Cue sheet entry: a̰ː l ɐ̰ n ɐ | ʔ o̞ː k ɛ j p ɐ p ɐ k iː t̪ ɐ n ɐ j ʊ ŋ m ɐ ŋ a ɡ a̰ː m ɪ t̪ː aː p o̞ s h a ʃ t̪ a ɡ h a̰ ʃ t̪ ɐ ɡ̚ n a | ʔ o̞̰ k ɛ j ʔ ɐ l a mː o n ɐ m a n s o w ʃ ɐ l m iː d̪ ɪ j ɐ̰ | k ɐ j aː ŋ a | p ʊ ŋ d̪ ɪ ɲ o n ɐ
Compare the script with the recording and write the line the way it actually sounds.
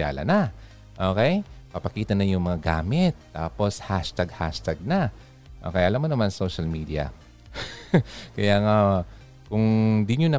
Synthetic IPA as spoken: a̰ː l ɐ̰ n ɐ | ʔ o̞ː k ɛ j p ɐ p ɐ k iː t̪ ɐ n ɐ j ʊ ŋ m ɐ ŋ a ɡ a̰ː m ɪ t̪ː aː p o̞ s h a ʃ t̪ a ɡ h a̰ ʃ t̪ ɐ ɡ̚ n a | ʔ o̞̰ k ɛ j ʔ ɐ l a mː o n ɐ m a n s o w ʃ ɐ l m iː d̪ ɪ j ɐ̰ | k ɐ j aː ŋ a | k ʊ ŋ d̪ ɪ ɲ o n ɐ